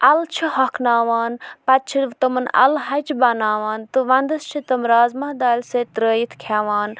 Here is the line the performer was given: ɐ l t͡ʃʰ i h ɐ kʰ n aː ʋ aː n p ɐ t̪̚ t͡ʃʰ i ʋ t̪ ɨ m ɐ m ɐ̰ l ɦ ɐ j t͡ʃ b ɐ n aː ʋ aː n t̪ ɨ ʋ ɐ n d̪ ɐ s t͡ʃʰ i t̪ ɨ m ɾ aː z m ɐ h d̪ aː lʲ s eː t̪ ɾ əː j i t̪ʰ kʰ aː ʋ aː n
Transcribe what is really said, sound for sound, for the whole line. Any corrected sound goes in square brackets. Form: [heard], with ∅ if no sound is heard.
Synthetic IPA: ɐ l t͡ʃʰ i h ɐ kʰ n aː ʋ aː n p ɐ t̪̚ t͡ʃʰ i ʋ t̪ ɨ m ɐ [n] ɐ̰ l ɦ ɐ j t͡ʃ b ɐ n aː ʋ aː n t̪ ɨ ʋ ɐ n d̪ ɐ s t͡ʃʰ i t̪ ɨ m ɾ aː z m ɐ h d̪ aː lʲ s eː t̪ ɾ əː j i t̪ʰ kʰ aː ʋ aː n

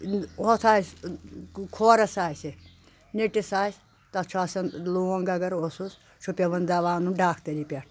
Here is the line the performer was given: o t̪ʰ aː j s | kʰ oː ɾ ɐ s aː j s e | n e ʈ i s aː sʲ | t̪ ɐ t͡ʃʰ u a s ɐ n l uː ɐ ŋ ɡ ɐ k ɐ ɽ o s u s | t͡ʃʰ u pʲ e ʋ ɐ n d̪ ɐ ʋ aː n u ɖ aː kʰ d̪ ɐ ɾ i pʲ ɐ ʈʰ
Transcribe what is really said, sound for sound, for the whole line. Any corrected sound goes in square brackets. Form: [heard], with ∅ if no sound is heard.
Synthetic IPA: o t̪ʰ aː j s | kʰ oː ɾ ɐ s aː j s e | n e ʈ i s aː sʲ | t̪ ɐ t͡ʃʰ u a s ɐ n l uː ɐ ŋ ɡ ɐ [ɡ] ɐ [ɾ] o s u s | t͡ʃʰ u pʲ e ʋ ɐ n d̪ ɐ ʋ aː n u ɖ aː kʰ [t̪] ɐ ɾ i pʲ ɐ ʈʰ

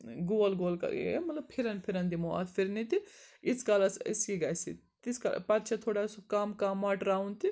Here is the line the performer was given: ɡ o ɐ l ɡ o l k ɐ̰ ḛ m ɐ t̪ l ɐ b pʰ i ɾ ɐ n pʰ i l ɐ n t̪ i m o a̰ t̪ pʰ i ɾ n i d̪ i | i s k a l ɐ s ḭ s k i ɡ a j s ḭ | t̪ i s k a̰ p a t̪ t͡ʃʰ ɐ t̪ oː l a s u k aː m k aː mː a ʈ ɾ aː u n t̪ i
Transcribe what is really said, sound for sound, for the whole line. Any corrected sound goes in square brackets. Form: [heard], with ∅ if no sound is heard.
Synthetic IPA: ɡ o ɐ l ɡ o l k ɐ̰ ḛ m ɐ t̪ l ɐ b pʰ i ɾ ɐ n pʰ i [ɾ] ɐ n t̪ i m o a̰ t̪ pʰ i ɾ n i [t̪] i | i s k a l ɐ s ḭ s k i ɡ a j s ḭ | t̪ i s k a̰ p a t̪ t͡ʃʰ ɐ [t̪ʰ] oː [ɽ] a s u k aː m k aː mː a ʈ ɾ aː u n t̪ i

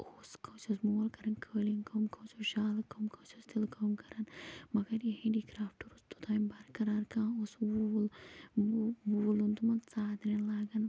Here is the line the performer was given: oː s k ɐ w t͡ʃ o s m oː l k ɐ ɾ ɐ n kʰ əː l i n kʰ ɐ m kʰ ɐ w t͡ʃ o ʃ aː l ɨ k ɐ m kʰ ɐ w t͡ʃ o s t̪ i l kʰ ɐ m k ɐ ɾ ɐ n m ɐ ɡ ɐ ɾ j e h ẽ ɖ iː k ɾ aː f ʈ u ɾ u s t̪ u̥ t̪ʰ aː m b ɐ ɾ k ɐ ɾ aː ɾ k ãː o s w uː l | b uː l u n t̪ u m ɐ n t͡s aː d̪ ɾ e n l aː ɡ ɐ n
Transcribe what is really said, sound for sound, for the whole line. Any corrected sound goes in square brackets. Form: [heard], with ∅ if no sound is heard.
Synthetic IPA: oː s k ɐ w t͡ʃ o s m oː l k ɐ ɾ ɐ n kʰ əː l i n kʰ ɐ m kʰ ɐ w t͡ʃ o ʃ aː l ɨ k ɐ m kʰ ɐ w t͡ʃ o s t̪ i l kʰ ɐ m k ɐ ɾ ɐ n m ɐ ɡ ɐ ɾ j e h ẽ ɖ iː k ɾ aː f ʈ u ɾ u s t̪ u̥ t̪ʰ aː m b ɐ ɾ k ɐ ɾ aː ɾ k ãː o s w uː l | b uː l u n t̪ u m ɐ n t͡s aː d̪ ɾ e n l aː ɡ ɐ n

